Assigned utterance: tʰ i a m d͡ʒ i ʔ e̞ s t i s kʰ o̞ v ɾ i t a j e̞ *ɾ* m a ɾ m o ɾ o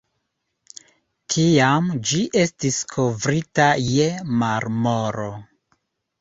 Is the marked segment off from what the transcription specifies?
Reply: yes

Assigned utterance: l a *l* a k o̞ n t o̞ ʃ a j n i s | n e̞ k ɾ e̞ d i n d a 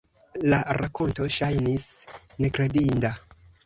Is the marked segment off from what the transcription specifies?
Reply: yes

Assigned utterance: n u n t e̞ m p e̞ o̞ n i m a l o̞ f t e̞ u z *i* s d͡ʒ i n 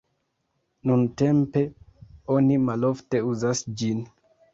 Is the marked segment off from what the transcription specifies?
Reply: yes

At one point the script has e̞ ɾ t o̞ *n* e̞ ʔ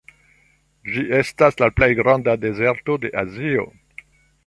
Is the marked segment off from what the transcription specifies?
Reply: yes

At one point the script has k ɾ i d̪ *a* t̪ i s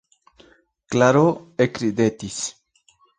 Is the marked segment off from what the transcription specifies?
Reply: yes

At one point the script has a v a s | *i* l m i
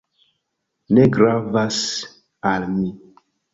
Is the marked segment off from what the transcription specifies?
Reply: yes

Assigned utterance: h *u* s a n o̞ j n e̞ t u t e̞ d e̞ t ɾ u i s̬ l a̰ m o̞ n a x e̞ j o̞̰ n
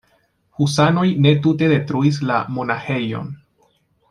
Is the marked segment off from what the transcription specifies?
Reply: no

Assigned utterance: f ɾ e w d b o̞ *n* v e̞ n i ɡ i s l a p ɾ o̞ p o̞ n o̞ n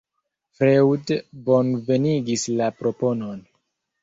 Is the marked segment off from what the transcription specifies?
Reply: no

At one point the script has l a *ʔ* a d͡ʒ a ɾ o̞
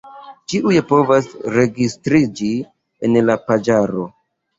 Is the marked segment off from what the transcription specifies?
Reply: yes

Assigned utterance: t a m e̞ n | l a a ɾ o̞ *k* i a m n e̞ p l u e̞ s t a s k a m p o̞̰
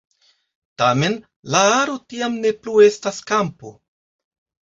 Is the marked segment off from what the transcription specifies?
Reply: yes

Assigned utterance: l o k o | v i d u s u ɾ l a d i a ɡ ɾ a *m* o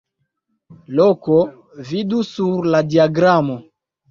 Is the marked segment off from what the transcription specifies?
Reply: no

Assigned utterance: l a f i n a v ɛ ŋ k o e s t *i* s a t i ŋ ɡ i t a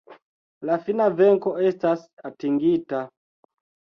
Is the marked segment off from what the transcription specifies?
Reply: yes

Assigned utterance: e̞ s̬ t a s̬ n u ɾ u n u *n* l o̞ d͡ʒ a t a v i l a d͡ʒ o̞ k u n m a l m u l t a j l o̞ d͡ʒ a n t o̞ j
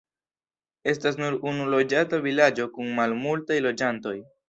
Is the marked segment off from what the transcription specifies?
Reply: yes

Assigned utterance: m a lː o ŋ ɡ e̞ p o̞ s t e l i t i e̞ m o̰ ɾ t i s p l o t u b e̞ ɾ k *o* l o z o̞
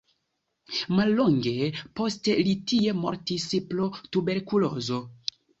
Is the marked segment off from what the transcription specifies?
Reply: yes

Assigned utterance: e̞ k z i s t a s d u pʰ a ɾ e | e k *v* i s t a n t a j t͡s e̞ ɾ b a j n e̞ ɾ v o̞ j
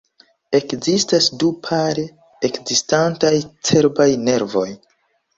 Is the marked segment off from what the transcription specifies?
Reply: yes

